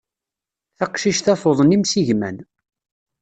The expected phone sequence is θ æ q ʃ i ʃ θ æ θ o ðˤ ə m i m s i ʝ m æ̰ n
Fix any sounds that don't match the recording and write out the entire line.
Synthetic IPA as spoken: θ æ q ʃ i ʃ θ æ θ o ðˤ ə n i m s i ʝ m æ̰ n